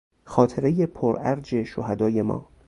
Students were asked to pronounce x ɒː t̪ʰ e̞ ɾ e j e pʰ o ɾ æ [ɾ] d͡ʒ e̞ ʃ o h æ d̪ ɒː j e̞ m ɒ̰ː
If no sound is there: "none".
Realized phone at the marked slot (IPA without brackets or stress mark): ɾ